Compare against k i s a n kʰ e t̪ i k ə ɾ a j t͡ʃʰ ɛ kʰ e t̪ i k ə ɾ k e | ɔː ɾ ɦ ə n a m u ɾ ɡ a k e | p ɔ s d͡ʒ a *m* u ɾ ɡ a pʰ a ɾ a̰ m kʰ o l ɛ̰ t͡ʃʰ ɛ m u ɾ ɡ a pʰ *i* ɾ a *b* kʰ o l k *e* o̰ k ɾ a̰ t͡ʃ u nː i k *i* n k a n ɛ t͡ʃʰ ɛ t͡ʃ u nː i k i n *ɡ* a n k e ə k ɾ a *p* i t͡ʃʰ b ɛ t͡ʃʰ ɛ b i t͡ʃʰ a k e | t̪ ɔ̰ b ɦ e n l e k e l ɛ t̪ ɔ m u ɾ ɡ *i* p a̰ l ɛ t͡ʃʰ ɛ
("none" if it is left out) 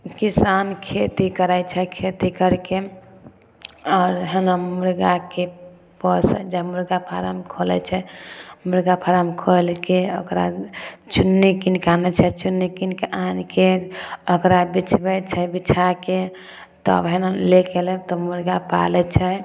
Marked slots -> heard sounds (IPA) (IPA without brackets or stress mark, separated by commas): m, a, m, e, i, k, b, a